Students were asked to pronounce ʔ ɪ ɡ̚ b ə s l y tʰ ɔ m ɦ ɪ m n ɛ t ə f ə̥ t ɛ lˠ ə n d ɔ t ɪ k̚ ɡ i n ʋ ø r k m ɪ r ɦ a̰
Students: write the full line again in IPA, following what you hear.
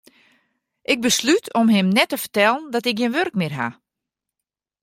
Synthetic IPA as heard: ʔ ɪ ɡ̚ b ə s l y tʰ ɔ m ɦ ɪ m n ɛ t ə f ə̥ t ɛ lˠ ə n d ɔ t ɪ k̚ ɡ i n ʋ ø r k m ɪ r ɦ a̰